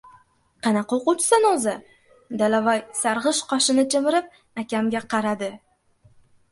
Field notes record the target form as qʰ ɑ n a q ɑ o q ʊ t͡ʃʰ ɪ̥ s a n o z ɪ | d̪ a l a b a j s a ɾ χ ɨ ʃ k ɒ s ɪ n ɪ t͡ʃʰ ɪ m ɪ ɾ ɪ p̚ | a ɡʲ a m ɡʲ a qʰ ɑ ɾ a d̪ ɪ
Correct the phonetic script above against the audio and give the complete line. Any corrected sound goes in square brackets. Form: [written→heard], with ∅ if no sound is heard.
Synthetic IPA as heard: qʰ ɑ n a q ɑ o q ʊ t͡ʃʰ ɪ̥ s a n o z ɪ | d̪ a l a [b→v] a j s a ɾ [χ→ʁ] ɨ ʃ [k→q] ɒ [s→ʃ] ɪ n ɪ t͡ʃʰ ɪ m ɪ ɾ ɪ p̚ | a [ɡʲ→kʲ] a m ɡʲ a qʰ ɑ ɾ a d̪ ɪ